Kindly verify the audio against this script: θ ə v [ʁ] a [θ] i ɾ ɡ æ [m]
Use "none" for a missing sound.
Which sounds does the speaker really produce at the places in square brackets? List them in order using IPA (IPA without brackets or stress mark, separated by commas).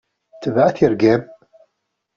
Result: ʕ, θ, m